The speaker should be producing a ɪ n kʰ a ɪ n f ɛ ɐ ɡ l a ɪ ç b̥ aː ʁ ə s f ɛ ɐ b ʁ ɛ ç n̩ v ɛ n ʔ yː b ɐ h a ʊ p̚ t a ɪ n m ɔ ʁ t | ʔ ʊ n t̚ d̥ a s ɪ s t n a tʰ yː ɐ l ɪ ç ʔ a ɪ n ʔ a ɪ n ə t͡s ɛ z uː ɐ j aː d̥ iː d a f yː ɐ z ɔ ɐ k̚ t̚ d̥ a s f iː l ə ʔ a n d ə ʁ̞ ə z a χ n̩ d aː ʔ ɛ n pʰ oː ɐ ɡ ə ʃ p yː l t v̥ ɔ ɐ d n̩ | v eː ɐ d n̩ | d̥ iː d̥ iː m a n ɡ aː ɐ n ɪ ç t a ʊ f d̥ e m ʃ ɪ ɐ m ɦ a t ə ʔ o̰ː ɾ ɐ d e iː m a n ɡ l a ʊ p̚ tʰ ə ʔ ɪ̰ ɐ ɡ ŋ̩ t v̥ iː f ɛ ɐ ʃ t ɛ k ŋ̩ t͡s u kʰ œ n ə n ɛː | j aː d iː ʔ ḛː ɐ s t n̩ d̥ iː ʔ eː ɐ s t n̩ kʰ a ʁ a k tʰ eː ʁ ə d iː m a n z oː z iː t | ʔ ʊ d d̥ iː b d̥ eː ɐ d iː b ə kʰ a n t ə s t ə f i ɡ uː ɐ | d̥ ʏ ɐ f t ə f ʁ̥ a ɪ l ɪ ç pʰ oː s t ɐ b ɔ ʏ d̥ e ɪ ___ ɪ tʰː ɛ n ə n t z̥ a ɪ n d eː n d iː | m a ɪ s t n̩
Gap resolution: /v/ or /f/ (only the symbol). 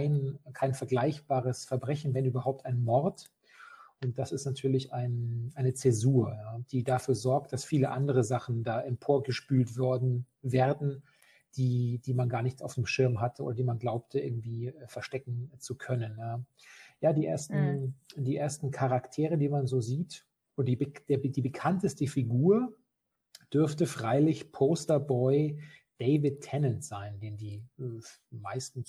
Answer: v